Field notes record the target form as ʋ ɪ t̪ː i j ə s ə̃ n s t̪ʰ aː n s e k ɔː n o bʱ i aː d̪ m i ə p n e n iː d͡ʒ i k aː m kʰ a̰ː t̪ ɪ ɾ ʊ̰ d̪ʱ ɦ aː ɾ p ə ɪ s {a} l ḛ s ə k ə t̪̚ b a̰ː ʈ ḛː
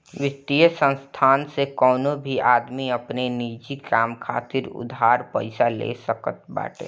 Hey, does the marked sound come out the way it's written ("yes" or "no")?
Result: yes